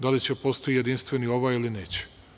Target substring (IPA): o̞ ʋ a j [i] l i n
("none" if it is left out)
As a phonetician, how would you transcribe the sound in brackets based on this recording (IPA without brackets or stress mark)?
i